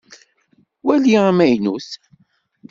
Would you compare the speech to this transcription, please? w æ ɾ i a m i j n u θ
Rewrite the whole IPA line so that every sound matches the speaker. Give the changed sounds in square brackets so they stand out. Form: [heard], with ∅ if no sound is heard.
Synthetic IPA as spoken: w æ [l] i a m [æ] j n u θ